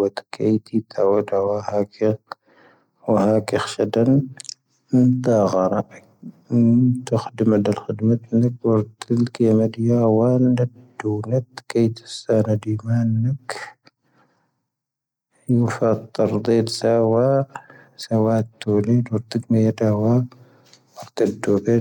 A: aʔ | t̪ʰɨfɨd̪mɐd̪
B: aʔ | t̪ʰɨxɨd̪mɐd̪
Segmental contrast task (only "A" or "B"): B